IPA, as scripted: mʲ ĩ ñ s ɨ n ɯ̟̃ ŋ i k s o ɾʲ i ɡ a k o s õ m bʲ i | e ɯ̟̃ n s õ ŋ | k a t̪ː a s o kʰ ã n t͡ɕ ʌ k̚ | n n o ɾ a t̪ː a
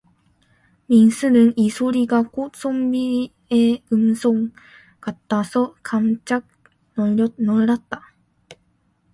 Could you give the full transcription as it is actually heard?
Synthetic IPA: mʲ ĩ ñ s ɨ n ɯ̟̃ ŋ i s o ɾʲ i ɡ a k o s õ m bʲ i | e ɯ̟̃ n s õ ŋ | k a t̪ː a s o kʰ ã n t͡ɕ a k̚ | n n o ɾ a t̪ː a